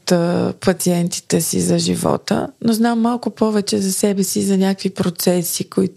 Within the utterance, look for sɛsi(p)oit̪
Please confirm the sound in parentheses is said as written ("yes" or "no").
no